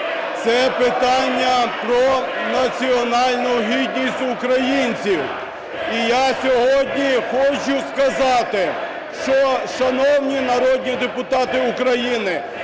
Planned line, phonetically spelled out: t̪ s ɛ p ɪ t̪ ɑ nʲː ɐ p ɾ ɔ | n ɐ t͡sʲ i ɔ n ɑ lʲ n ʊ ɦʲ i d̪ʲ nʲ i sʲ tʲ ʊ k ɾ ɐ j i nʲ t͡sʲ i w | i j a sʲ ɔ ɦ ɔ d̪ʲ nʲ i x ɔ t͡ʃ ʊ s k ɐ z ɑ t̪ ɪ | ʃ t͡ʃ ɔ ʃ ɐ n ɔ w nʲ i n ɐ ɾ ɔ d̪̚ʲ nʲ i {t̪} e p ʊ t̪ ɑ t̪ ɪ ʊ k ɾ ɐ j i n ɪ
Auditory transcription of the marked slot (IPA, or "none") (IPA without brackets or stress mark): d̪